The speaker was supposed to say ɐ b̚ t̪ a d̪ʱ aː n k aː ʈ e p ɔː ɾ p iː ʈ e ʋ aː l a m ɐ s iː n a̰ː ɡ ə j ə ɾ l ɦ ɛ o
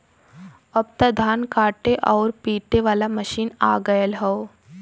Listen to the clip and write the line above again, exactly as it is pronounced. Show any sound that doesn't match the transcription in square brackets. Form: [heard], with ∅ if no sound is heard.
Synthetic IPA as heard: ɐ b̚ t̪ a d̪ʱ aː n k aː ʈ e [ʔ] ɔː ɾ p iː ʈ e ʋ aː l a m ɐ [ʃ] iː n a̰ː ɡ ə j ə [∅] l ɦ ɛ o